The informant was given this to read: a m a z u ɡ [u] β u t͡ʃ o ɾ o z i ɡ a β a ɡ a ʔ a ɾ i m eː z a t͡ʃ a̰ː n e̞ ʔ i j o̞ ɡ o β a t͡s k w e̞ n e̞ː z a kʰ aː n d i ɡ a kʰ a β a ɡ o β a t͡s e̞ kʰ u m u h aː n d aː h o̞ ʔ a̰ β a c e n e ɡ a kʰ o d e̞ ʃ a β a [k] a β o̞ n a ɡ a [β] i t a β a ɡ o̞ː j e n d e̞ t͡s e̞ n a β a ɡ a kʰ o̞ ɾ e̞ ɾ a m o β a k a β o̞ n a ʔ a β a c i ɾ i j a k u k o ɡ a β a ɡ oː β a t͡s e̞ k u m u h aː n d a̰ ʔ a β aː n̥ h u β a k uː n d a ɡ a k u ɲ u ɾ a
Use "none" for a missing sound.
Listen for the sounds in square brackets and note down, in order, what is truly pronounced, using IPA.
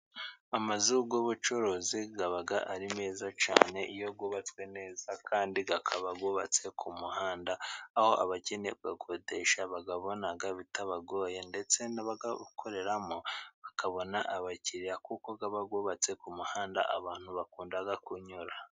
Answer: o, ɡ, β

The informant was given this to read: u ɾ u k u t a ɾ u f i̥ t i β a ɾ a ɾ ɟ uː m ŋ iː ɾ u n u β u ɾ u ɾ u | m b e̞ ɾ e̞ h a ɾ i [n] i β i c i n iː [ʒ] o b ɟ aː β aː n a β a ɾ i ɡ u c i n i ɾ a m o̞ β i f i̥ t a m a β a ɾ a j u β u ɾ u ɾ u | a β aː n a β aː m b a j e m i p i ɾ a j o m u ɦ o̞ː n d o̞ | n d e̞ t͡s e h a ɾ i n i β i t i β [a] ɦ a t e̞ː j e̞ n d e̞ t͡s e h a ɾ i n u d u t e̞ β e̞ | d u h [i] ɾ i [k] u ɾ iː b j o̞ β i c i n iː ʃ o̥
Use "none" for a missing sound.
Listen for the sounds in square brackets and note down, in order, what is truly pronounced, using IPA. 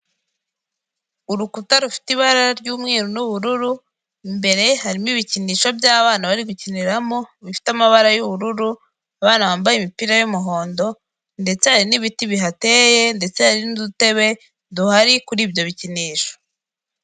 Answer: m, ʃ, i, a, k

